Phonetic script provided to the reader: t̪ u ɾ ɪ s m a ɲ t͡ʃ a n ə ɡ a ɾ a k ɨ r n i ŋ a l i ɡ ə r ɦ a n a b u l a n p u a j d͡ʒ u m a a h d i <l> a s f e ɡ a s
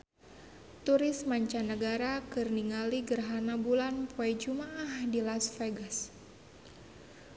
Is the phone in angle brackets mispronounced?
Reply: no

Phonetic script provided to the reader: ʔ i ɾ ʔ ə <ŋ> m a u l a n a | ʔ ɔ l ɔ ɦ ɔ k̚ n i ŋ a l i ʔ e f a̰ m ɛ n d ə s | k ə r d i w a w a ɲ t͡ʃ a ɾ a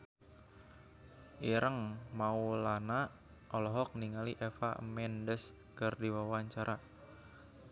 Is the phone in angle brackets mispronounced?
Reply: no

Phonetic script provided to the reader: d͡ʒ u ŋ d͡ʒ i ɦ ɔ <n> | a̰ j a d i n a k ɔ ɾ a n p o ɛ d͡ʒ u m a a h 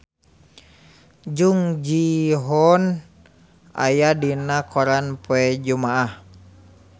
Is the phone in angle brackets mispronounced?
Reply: no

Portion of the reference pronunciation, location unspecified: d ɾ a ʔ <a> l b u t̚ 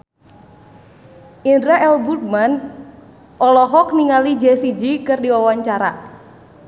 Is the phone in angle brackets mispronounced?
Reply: yes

